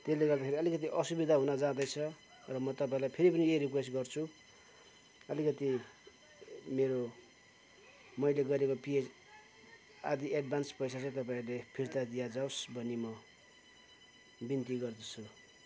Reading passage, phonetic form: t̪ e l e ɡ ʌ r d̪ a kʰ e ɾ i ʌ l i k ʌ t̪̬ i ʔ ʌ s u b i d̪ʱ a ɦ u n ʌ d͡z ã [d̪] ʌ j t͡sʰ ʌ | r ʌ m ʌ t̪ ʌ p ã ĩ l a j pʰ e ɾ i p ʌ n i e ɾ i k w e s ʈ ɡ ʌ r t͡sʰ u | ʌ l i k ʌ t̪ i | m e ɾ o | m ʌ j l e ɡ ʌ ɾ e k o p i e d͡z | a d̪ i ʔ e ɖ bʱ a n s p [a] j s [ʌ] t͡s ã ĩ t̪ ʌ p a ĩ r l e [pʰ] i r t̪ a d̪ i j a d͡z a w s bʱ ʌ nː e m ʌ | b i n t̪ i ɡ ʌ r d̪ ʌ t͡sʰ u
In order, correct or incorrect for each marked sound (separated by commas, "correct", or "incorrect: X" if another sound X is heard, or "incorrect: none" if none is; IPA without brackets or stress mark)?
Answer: correct, incorrect: ʌ, incorrect: a, correct